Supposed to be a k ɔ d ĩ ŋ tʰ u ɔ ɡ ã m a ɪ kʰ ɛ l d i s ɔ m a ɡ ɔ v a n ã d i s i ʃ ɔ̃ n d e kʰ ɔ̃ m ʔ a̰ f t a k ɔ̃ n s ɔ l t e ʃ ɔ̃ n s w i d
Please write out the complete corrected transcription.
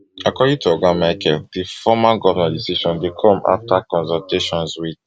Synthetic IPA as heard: a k ɔ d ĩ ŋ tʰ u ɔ ɡ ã m a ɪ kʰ ɛ l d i f ɔ m a ɡ ɔ v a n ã d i s i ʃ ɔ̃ n d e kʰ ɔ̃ m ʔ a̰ f t a k ɔ̃ n s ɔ l t e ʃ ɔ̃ n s w i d